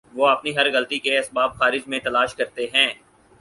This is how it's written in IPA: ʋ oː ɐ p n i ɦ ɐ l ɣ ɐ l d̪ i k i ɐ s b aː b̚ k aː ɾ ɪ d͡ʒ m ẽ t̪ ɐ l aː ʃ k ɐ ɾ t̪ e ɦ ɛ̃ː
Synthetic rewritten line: ʋ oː ɐ p n i ɦ ɐ ɾ ɣ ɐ l t̪ i k e ɐ s b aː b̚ x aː ɾ ɪ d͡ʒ m ẽ t̪ ɐ l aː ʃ k ɐ ɾ t̪ e ɦ ɛ̃ː

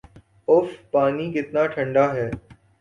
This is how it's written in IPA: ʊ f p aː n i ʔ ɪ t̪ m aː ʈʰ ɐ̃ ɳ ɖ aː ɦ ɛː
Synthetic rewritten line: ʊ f p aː n i k ɪ t̪ n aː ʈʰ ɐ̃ ɳ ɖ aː ɦ ɛː

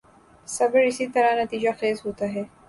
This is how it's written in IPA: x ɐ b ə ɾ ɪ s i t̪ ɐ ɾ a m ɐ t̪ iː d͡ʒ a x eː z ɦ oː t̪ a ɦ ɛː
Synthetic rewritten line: s ɐ b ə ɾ ɪ s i t̪ ɐ ɾ a n ɐ t̪ iː d͡ʒ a x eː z ɦ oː t̪ a ɦ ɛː

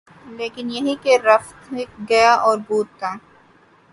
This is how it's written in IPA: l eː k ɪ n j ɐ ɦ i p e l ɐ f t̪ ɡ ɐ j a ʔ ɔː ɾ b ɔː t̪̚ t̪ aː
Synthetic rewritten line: l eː k ɪ n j ɐ ɦ i k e ɾ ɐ f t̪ ɡ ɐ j a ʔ ɔː ɾ b uː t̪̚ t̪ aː

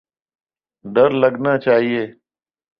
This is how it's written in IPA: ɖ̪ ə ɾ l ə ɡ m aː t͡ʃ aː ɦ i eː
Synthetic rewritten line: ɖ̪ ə ɾ l ə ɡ n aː t͡ʃ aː ɦ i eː

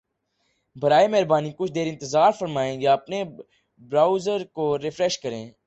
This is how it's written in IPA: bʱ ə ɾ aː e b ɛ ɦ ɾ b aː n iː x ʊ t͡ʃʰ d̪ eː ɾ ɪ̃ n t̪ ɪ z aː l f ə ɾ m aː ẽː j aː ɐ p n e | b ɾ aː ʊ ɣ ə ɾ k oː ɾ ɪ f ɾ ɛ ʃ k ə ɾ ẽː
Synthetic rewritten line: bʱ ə ɾ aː e m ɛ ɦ ɾ b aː n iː k ʊ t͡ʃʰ d̪ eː ɾ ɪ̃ n t̪ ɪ z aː ɾ f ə ɾ m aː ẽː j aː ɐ p n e | b ɾ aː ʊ z ə ɾ k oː ɾ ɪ f ɾ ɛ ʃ k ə ɾ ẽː

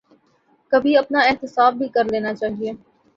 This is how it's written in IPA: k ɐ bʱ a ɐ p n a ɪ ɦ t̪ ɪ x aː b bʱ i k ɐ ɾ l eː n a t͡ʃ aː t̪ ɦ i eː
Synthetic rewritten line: k ɐ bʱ i ɐ p n a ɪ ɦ t̪ ɪ s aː b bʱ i k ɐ ɾ l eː n a t͡ʃ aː ɦ i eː

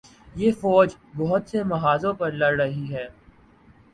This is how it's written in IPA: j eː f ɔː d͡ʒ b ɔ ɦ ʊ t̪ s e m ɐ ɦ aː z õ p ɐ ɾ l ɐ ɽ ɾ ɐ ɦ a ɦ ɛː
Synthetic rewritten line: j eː f ɔː d͡ʒ b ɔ ɦ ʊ t̪ s e m ɐ ɦ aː z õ p ɐ ɾ l ɐ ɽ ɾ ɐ ɦ i ɦ ɛː

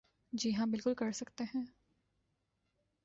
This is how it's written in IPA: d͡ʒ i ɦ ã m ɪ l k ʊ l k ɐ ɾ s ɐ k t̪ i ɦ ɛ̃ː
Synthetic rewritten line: d͡ʒ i ɦ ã b ɪ l k ʊ l k ɐ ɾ s ɐ k t̪ e ɦ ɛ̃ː

